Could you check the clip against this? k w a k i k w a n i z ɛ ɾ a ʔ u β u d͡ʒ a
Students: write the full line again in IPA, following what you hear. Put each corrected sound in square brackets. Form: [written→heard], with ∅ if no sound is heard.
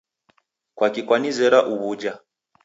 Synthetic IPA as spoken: k w a k i k w a n i z ɛ ɾ a ʔ u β u d͡ʒ a